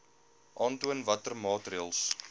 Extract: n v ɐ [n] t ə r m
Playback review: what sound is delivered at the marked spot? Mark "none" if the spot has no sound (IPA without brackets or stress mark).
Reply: none